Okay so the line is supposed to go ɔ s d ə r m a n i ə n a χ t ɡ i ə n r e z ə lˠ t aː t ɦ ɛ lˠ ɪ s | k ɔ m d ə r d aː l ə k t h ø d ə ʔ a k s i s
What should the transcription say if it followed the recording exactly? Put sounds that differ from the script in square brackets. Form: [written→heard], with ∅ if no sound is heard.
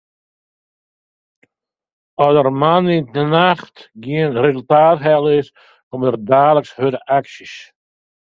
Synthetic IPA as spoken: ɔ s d ə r m a n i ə n a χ t ɡ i ə n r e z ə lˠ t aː t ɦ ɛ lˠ ɪ s | k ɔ m d ə r d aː l ə k [t→s] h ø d ə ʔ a k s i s

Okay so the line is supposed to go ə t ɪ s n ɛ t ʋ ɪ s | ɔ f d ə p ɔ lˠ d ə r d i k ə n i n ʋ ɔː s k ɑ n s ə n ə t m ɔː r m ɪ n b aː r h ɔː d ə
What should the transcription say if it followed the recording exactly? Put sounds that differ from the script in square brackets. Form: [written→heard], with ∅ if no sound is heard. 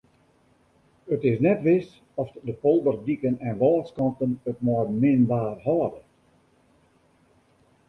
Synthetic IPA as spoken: ə t ɪ s n ɛ t ʋ ɪ s | ɔ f d ə p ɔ lˠ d ə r d i k ə n [i→ɛ] n ʋ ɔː s k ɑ n [s→t] ə n ə t m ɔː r m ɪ n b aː r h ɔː d ə

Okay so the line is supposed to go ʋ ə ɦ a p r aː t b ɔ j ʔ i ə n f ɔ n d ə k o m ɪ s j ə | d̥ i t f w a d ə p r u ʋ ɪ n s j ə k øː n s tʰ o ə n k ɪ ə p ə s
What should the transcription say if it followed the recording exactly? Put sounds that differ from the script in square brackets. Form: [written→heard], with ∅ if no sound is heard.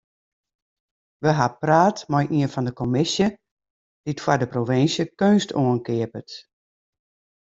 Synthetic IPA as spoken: ʋ ə ɦ a p r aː t [b→m] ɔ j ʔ i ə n f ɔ n d ə k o m ɪ s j ə | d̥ i t f w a d ə p r [u→o] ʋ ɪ n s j ə k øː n s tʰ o ə n k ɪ ə p ə [s→t]

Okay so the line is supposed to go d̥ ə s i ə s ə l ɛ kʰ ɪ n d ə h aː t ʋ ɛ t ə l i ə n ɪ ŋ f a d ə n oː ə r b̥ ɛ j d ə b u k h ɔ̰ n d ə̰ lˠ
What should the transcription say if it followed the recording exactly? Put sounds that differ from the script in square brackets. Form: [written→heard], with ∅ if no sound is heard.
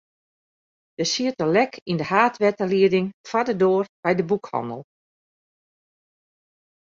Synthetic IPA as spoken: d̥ ə s i ə [s→t] ə l ɛ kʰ [ɪ→i] n d ə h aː t ʋ ɛ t ə l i ə [n→d] ɪ ŋ f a d ə [n→d] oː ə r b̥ ɛ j d ə b u k h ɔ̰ n d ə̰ lˠ

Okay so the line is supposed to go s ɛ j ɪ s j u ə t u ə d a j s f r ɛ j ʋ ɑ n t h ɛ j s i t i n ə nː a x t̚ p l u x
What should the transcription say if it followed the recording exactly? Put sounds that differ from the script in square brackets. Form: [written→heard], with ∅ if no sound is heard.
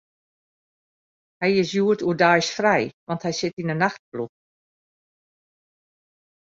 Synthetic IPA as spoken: [s→h] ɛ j ɪ s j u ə t u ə d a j s f r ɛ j ʋ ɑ n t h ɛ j s [i→ɪ] t i n ə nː a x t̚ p l u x

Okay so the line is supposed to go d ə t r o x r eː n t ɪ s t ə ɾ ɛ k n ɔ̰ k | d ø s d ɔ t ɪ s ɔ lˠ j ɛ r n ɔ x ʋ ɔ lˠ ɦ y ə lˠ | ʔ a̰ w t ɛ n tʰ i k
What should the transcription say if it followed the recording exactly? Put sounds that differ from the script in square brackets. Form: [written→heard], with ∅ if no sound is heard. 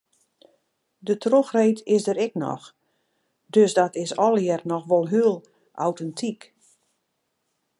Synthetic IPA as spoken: d ə t r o x r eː [n→∅] t ɪ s [t→d] ə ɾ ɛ k n ɔ̰ [k→x] | d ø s d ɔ t ɪ s ɔ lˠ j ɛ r n ɔ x ʋ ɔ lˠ ɦ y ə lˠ | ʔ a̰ w t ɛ n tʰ i k

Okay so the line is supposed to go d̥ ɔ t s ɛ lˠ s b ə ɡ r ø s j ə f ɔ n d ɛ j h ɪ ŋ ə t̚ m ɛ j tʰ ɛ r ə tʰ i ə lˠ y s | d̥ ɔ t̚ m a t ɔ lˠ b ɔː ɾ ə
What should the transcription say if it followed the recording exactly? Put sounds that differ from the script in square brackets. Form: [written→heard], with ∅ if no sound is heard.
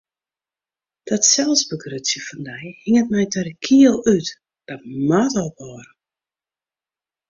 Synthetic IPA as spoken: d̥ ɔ t s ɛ lˠ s b ə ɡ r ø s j ə f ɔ n d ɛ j h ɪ ŋ ə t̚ m ɛ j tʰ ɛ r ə [tʰ→kʰ] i ə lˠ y [s→t] | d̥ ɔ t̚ m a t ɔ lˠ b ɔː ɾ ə

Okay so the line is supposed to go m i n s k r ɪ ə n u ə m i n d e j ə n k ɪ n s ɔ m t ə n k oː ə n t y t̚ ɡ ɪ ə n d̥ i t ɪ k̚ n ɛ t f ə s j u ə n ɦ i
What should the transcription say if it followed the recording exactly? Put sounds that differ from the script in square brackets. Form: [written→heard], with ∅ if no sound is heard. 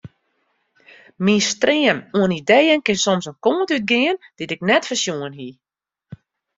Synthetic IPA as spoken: m i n s [k→t] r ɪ ə n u ə [m→n] i [n→∅] d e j ə n k ɪ n s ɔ m [t→s] ə n k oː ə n t y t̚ ɡ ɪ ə n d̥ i t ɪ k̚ n ɛ t f ə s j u ə n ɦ i

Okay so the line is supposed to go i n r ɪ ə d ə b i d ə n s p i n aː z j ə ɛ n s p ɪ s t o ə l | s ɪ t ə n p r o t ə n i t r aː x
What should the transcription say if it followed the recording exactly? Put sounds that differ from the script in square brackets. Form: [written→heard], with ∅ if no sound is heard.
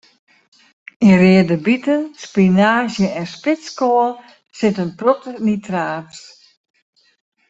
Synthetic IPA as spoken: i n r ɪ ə d ə b i [d→t] ə n s p i n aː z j ə ɛ n s p ɪ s [t→k] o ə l | s ɪ t ə n p r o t ə n i t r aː [x→s]

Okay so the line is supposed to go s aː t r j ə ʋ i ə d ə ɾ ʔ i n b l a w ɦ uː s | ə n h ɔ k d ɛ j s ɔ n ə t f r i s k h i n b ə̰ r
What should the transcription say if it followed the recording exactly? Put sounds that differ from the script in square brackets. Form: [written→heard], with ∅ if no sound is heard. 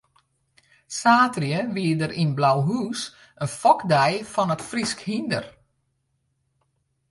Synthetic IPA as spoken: s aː t r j ə ʋ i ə d ə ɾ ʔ i n b l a w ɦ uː s | ə n [h→f] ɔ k d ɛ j [s→f] ɔ n ə t f r i s k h i n [b→d] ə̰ r

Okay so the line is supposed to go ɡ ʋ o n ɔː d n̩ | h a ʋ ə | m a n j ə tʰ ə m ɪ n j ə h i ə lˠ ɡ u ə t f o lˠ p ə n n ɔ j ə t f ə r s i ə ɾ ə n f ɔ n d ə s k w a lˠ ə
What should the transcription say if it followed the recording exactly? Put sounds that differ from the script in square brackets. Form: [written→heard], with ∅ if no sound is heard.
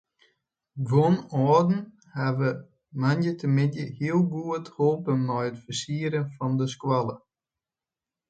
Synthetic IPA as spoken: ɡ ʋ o n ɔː d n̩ | h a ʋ ə | m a n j ə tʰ ə m ɪ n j ə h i ə lˠ ɡ u ə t [f→h] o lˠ p ə n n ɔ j ə t f ə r s i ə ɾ ə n f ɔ n d ə s k w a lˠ ə

